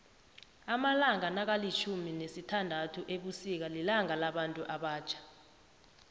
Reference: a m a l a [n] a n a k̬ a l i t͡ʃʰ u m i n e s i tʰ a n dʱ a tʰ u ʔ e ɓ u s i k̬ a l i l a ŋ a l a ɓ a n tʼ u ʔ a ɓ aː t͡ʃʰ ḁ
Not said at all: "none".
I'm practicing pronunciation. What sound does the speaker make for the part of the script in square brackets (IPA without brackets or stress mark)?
ŋ